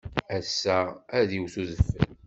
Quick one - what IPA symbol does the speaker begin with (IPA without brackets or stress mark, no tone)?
æ